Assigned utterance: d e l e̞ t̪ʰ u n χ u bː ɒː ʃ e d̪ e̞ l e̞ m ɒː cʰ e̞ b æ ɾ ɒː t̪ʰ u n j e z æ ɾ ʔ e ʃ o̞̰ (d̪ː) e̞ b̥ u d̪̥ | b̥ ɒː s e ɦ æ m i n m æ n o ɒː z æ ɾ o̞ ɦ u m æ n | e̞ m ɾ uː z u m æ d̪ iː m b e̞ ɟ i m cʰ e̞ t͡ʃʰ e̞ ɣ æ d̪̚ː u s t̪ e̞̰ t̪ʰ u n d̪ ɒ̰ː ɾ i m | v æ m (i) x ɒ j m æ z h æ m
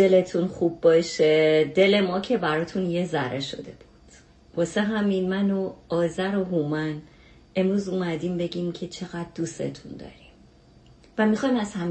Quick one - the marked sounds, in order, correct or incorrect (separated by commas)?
incorrect, correct